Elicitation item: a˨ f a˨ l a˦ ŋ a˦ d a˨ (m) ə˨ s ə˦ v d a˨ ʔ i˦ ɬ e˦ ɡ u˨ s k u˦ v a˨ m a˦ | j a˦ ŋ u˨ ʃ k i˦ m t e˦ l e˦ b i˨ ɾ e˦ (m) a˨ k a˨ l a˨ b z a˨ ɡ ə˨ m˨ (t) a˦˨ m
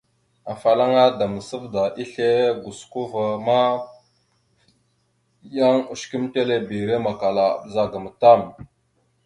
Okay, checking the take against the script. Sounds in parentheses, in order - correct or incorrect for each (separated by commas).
correct, correct, correct